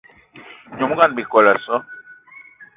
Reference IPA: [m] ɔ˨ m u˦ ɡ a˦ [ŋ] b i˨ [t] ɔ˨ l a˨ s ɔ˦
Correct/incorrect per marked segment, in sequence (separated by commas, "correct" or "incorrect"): incorrect, incorrect, incorrect